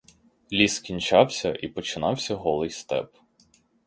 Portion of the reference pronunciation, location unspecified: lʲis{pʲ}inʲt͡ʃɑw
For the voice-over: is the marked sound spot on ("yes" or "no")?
no